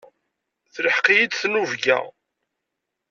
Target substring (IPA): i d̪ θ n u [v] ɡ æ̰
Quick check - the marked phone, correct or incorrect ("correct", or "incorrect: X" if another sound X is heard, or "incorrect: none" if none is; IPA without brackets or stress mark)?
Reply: correct